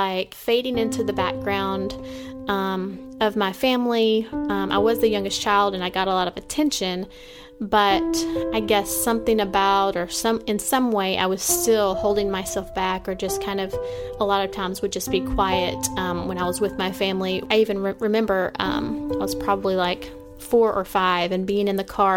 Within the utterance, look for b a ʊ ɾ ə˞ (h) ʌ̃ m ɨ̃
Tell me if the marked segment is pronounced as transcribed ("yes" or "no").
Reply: no